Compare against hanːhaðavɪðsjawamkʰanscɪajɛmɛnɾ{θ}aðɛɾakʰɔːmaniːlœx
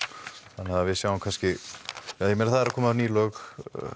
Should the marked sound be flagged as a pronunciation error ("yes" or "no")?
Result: no